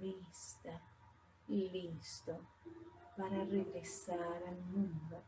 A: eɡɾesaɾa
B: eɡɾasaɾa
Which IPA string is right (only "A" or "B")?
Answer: A